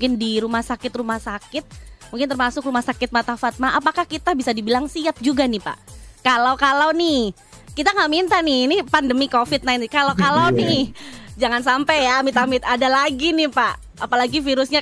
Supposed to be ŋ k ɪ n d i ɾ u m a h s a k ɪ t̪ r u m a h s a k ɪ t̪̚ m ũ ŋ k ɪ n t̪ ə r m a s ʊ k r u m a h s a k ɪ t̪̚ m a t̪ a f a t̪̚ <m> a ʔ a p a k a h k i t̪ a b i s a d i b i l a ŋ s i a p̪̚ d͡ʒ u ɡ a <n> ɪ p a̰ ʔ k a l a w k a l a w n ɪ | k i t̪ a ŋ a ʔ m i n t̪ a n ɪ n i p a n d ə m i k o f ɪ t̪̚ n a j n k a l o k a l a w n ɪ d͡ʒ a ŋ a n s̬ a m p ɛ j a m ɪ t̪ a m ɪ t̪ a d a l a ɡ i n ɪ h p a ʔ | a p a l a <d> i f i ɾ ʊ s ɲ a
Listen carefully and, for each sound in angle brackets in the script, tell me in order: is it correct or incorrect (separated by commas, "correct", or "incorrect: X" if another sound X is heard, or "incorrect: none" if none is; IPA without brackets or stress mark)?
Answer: correct, correct, incorrect: ɡ